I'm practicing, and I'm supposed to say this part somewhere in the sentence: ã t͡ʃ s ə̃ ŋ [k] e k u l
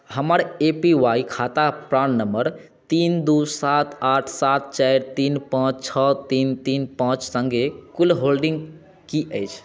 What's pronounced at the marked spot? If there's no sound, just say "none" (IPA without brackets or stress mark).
ɡ